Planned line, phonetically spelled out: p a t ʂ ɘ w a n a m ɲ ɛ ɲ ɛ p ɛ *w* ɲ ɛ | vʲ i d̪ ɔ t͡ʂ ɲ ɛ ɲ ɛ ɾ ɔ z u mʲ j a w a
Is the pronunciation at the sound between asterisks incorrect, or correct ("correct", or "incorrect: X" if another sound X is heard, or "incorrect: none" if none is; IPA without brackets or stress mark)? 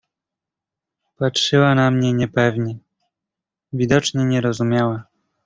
incorrect: v